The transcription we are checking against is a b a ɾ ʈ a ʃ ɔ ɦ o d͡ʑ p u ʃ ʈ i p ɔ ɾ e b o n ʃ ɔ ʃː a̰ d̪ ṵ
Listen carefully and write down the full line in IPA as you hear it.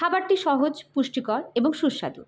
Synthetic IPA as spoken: a b a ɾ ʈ i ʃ ɔ ɦ o d͡ʑ p u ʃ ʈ i k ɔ ɾ e b o ŋ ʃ u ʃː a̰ d̪ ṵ